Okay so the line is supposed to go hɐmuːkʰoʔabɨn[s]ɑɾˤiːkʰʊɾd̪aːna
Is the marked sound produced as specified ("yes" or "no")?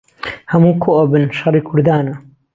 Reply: no